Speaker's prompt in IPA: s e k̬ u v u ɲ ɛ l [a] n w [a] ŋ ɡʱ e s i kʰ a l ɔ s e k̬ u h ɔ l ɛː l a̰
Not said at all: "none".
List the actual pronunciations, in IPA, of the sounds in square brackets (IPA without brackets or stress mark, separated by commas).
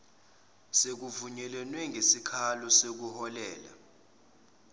ɛ, ɛ